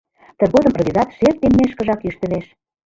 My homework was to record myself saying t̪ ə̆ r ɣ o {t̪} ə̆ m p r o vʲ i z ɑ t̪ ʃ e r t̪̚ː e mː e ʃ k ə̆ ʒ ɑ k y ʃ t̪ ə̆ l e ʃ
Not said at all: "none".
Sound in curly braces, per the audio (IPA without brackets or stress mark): d̪